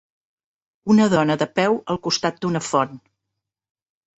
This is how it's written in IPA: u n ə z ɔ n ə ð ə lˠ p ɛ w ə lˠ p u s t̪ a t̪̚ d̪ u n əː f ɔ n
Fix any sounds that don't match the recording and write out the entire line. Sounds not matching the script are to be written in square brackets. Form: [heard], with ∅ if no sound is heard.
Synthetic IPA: u n ə [ð] ɔ n ə ð ə [∅] p ɛ w ə lˠ [k] u s t̪ a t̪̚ d̪ u n [ə] f ɔ n